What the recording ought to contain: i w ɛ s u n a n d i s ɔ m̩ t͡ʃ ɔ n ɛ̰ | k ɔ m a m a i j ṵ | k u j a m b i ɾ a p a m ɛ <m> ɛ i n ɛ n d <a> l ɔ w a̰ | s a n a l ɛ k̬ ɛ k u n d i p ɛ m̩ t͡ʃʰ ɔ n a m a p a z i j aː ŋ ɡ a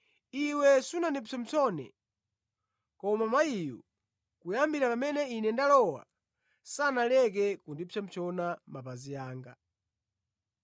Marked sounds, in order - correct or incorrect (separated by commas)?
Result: incorrect, correct